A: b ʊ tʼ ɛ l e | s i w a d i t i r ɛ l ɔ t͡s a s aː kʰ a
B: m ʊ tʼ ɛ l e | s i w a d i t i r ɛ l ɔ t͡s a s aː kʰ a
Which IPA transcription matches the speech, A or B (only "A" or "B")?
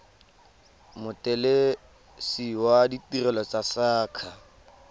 B